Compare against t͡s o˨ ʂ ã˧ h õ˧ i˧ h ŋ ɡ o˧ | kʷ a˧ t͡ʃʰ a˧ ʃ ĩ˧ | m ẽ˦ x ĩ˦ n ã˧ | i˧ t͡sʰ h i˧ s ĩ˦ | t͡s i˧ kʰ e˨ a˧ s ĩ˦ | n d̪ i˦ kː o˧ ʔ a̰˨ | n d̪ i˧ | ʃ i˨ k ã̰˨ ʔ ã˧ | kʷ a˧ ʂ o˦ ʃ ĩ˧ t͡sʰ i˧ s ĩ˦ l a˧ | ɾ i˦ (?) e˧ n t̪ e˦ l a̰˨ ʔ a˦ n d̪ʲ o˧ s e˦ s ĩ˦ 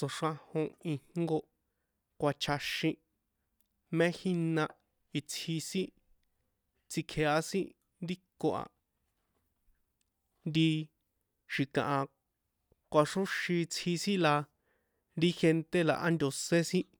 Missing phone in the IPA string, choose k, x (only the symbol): x